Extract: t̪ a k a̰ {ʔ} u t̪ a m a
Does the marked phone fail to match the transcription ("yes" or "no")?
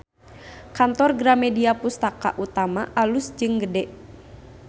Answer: no